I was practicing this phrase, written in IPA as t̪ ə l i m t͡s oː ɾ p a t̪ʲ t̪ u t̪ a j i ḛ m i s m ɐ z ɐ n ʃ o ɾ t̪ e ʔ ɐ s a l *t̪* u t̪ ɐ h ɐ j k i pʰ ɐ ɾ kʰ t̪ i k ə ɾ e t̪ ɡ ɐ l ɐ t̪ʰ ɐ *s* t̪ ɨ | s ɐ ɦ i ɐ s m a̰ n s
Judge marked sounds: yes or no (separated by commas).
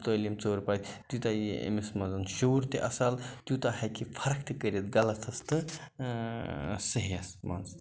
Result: yes, yes